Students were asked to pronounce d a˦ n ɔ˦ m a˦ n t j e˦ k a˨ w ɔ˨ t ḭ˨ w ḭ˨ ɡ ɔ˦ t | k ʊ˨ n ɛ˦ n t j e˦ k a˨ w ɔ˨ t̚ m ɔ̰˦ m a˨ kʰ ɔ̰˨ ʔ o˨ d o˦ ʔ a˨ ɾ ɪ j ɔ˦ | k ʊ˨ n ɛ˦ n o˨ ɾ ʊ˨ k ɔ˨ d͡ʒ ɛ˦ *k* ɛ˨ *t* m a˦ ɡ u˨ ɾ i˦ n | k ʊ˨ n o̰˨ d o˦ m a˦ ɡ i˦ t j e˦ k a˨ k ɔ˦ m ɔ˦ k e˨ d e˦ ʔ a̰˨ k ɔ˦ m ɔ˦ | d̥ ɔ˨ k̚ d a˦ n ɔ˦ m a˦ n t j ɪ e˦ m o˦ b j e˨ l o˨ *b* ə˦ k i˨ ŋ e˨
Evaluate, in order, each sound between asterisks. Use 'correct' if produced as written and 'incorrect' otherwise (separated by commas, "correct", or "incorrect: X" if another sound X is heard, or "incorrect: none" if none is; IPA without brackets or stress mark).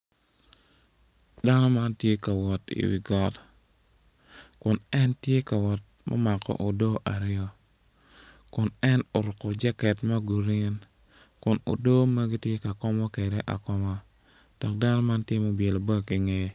correct, correct, correct